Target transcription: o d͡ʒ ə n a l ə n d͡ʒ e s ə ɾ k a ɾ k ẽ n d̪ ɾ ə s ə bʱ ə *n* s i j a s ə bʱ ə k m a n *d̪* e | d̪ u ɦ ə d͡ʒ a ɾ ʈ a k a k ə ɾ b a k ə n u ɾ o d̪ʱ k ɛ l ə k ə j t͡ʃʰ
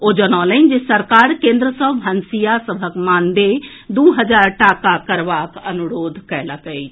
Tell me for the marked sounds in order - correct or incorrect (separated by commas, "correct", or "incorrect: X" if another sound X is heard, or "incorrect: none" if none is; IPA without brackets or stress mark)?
correct, correct